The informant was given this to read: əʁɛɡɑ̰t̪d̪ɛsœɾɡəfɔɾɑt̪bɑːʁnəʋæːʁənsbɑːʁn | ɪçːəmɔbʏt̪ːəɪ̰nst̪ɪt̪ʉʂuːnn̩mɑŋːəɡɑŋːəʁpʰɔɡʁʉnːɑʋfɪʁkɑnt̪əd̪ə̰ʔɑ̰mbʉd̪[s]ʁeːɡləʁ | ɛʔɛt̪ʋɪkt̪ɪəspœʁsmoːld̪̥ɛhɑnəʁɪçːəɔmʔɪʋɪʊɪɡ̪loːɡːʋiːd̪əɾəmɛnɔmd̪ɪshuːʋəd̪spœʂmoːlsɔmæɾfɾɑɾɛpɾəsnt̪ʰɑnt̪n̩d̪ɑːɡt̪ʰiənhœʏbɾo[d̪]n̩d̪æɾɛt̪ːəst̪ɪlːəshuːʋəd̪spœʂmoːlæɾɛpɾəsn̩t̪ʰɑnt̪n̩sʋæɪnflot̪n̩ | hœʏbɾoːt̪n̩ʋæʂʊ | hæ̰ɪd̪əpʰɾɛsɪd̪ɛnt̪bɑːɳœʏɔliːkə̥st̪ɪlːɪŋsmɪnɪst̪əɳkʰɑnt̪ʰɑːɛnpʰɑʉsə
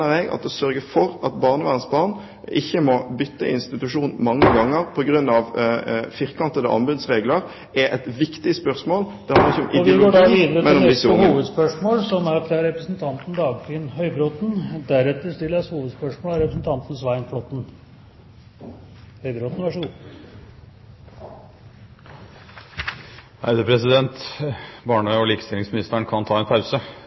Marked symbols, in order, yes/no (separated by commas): yes, no